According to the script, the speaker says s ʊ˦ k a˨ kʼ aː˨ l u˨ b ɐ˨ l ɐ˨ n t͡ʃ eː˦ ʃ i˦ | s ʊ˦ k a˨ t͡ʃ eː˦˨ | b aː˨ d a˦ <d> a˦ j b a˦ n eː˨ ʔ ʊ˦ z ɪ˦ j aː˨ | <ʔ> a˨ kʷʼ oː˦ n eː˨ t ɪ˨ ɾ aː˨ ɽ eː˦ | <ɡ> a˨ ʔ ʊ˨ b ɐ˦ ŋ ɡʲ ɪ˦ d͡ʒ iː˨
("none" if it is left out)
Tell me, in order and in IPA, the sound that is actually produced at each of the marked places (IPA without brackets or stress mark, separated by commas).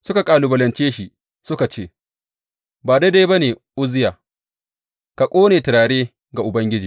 d, k, ɡ